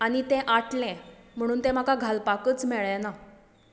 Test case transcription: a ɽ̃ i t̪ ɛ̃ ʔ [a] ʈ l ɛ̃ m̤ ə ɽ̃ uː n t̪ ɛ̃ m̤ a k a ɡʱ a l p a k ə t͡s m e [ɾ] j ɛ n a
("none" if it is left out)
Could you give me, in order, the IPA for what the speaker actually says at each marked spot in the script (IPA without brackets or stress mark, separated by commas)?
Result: a, ɭ